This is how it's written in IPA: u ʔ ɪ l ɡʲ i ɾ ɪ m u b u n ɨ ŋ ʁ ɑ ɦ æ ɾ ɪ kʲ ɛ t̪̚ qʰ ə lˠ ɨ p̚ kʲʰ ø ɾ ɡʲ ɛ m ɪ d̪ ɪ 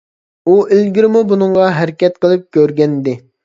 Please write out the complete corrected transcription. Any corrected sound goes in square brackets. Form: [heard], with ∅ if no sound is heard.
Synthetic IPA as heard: u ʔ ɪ l ɡʲ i ɾ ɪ m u b u n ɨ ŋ ʁ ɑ ɦ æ ɾ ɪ kʲ ɛ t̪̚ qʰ ə lˠ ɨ p̚ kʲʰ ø ɾ ɡʲ ɛ [n] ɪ d̪ ɪ